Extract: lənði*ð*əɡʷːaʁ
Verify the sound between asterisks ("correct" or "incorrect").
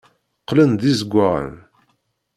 incorrect